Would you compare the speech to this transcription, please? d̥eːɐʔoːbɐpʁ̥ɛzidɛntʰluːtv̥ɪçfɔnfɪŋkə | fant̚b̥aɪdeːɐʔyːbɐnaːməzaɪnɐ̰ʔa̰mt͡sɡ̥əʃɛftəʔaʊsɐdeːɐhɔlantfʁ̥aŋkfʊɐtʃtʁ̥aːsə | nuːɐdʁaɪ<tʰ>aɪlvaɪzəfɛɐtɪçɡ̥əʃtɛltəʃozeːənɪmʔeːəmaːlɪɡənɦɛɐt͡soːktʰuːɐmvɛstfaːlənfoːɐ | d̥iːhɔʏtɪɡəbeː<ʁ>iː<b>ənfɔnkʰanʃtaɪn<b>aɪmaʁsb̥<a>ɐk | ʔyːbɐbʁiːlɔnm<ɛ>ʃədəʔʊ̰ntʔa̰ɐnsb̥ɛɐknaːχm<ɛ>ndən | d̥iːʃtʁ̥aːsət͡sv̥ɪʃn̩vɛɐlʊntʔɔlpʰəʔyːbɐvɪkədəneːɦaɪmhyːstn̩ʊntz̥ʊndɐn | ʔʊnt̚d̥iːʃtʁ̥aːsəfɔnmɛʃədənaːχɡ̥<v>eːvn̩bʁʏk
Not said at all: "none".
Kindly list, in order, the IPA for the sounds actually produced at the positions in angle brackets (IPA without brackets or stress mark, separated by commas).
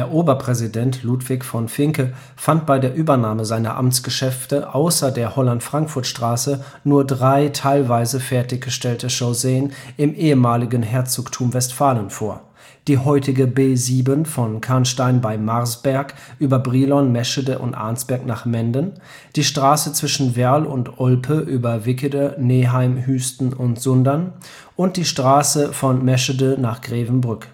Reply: tʰ, z, b, b, ɛ, ɛ, ɛ, ʁ